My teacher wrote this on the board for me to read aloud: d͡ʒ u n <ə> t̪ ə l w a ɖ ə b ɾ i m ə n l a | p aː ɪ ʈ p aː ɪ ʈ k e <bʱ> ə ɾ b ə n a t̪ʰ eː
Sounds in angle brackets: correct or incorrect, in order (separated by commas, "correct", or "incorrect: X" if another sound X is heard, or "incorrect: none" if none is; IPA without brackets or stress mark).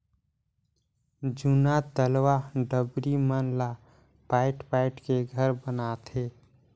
incorrect: a, incorrect: ɡʱ